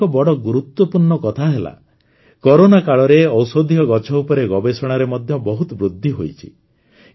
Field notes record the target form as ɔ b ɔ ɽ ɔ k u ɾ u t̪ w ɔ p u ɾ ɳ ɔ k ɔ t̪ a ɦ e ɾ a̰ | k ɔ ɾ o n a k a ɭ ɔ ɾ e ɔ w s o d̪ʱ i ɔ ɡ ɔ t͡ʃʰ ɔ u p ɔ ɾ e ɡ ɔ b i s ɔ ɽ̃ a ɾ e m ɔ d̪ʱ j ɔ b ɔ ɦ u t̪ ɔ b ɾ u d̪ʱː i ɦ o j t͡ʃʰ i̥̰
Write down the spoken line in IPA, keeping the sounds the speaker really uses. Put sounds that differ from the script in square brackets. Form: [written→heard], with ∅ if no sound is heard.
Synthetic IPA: ɔ b ɔ ɽ ɔ [k→ɡ] u ɾ u t̪ w ɔ p u ɾ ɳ ɔ k ɔ [t̪→t̪ʰ] a ɦ e [ɾ→l] a̰ | k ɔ ɾ o n a k a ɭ ɔ ɾ e ɔ w s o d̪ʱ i ɔ ɡ ɔ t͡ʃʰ ɔ u p ɔ ɾ e ɡ ɔ b [i→e] s ɔ ɽ̃ a ɾ e m ɔ d̪ʱ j ɔ b ɔ ɦ u t̪ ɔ b ɾ u d̪ʱː i ɦ o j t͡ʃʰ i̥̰